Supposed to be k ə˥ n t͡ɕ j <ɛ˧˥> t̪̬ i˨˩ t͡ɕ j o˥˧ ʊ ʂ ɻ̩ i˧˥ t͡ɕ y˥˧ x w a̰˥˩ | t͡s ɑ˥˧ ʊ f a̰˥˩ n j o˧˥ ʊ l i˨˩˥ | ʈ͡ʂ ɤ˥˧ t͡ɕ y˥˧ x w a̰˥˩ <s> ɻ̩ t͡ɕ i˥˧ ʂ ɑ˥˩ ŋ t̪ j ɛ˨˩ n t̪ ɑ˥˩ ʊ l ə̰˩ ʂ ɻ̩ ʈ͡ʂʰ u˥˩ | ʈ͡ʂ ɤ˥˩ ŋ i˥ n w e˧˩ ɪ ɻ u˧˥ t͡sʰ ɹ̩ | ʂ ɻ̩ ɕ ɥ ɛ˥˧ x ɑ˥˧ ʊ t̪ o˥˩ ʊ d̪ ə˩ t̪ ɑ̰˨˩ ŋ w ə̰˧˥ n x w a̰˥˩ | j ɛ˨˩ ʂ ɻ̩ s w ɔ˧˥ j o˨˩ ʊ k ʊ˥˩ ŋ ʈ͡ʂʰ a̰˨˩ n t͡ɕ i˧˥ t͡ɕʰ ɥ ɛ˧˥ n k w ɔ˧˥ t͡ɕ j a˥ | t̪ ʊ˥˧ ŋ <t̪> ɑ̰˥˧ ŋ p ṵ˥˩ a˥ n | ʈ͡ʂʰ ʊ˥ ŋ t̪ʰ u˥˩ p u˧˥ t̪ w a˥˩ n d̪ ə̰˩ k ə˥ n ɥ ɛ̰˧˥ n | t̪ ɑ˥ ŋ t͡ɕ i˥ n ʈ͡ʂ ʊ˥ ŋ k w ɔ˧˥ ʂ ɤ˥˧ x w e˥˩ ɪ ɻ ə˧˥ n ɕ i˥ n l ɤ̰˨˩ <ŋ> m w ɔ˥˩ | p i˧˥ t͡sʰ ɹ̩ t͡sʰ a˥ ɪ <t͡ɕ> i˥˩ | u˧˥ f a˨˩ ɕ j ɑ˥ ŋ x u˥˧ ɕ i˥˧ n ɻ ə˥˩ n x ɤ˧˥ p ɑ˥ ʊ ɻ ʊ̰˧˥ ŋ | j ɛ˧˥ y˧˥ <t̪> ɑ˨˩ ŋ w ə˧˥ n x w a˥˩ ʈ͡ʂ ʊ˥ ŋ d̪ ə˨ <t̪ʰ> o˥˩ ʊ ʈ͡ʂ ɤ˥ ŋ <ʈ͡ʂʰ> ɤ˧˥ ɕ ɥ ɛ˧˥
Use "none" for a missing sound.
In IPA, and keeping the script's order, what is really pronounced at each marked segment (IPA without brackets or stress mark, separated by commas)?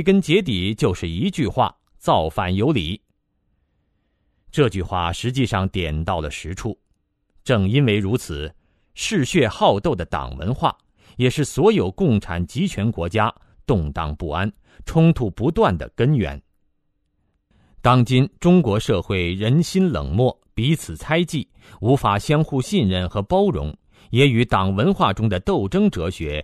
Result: ɛ˧˥, ʂ, t̪, ŋ, t͡ɕ, t̪, t̪, ʈ͡ʂ